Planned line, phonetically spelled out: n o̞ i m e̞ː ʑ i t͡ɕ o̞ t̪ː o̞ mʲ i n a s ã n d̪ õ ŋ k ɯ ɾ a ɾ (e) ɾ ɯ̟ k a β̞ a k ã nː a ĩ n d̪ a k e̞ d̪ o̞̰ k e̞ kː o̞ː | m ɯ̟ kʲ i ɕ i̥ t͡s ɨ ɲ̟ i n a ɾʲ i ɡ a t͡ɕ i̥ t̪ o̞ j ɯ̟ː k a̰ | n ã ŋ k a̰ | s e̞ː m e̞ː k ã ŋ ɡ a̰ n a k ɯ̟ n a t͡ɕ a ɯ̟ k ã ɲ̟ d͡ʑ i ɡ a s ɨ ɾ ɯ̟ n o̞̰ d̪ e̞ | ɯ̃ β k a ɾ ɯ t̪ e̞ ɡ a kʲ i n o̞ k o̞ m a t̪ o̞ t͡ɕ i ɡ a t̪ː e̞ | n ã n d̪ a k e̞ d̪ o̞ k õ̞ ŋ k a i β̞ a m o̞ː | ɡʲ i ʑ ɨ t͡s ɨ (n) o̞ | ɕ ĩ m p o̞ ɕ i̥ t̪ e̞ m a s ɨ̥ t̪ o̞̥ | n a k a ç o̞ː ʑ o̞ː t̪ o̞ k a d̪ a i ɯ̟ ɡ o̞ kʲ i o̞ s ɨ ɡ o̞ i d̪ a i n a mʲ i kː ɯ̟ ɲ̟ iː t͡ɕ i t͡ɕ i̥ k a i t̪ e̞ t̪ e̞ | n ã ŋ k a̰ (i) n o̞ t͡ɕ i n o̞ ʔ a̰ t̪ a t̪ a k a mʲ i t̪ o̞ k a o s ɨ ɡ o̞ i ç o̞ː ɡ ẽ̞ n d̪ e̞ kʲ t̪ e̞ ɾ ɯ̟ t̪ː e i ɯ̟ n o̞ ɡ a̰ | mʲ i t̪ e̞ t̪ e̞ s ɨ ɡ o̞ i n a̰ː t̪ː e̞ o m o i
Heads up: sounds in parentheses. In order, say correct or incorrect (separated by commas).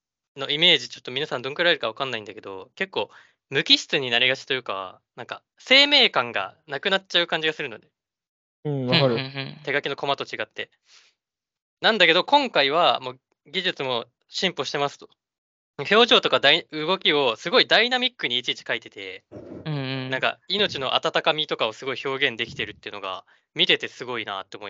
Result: correct, incorrect, correct